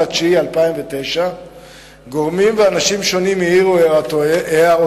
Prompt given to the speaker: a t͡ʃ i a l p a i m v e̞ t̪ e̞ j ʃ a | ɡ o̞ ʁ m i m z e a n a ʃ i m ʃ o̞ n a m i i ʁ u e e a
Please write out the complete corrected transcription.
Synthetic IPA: a t͡ʃ i a l p a i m v e̞ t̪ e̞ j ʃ a | ɡ o̞ ʁ m i m v e a n a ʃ i m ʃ o̞ n i m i i ʁ u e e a